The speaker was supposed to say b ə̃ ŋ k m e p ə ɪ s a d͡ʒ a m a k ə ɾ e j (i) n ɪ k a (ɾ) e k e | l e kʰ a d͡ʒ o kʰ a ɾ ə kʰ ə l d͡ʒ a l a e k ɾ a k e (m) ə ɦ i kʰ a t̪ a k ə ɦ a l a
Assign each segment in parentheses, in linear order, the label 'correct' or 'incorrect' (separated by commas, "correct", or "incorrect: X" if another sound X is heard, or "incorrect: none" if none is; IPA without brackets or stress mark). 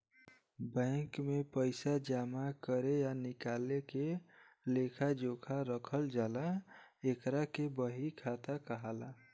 incorrect: a, incorrect: l, incorrect: b